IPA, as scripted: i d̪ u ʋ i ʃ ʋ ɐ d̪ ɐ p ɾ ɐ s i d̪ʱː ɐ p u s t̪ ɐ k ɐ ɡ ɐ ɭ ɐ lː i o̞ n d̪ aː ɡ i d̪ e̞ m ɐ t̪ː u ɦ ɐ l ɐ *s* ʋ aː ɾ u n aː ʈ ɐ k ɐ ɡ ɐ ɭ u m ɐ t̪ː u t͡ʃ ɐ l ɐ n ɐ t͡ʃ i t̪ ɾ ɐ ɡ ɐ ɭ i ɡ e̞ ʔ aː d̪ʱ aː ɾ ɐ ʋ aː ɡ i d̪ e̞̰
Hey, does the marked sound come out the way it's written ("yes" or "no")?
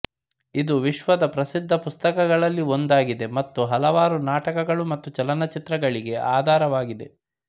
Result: no